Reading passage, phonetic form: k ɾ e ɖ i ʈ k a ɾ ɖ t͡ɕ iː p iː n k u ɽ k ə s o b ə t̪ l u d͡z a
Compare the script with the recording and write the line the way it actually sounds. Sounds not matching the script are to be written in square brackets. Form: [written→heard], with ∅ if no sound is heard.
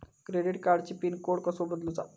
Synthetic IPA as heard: k ɾ e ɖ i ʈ k a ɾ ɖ t͡ɕ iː p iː n k [u→o] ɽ k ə s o b ə [t̪→d̪] l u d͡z a